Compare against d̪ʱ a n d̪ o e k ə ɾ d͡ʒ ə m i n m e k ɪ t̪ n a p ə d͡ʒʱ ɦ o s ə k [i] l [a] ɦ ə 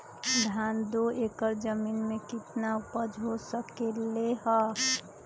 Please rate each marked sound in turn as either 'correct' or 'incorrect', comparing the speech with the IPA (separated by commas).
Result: incorrect, incorrect